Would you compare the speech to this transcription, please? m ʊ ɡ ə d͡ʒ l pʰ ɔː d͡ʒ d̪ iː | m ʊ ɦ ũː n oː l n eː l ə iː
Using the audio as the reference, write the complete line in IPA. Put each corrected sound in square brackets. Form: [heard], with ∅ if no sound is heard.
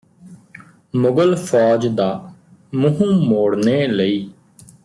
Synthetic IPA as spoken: m ʊ ɡ ə [∅] l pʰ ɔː d͡ʒ d̪ [aː] | m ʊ ɦ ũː [m] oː [ɽ] n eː l ə iː